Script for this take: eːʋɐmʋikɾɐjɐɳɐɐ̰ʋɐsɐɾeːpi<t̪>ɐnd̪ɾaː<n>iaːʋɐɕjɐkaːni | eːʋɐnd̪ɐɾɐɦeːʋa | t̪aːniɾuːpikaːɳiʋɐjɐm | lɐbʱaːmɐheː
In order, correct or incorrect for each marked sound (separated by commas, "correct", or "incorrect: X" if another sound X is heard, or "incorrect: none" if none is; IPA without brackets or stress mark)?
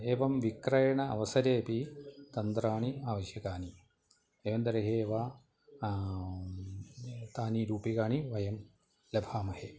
correct, incorrect: ɳ